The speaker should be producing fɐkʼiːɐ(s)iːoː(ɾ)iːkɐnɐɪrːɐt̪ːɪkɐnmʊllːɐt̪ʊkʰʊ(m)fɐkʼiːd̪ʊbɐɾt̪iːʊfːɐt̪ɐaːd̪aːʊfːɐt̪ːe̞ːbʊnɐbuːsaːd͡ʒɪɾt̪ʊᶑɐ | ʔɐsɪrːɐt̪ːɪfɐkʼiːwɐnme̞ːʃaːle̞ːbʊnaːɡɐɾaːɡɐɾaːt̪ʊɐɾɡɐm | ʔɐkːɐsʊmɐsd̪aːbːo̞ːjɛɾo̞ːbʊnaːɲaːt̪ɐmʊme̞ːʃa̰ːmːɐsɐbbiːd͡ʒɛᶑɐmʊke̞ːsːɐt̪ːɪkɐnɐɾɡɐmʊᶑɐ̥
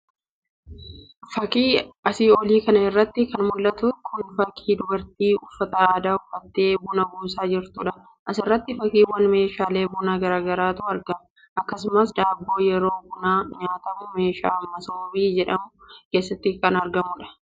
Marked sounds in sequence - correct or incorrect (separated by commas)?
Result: correct, incorrect, incorrect